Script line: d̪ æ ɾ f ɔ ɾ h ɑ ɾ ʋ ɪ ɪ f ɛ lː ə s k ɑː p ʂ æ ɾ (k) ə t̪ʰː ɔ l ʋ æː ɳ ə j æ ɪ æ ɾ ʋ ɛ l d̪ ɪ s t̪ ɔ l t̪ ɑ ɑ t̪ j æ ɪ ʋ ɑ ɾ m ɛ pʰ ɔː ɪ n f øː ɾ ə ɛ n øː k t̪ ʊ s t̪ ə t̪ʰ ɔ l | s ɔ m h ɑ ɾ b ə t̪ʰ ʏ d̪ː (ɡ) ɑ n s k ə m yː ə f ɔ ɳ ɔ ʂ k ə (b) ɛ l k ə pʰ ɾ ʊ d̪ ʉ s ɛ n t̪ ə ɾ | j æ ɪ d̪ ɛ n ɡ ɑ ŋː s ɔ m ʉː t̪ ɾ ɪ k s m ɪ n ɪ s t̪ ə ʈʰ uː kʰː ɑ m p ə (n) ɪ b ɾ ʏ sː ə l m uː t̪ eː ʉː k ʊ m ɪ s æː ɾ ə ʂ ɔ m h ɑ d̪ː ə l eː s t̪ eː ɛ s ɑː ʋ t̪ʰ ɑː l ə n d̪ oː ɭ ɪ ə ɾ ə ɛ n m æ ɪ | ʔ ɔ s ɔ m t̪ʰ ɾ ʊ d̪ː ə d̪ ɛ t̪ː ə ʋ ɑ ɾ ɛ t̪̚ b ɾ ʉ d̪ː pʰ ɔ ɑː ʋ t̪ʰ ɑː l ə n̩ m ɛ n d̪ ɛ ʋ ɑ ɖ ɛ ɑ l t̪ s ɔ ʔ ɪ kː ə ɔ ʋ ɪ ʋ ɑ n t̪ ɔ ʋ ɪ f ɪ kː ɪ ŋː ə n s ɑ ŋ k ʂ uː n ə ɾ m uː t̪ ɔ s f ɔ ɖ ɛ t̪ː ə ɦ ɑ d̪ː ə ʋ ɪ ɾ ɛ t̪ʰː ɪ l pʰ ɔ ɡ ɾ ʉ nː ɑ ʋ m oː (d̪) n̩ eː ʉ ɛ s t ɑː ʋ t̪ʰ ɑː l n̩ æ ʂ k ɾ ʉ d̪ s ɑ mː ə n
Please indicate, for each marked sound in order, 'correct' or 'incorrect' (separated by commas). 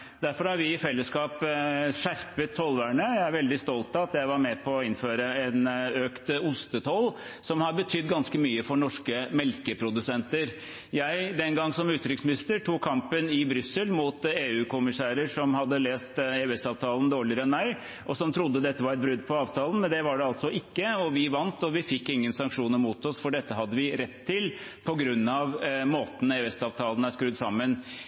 incorrect, correct, incorrect, correct, incorrect